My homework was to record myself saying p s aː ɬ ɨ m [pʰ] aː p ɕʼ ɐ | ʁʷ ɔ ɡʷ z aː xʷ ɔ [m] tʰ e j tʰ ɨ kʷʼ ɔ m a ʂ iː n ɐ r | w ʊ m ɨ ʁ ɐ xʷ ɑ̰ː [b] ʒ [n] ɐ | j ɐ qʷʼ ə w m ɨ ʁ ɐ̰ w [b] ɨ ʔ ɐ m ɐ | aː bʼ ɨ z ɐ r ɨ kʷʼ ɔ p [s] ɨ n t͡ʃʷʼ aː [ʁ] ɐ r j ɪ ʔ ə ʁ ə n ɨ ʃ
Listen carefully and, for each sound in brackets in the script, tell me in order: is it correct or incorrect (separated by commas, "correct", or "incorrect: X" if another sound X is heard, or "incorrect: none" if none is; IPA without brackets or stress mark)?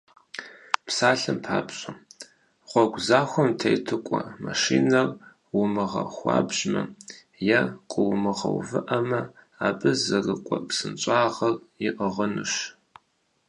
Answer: correct, correct, correct, incorrect: m, incorrect: v, correct, correct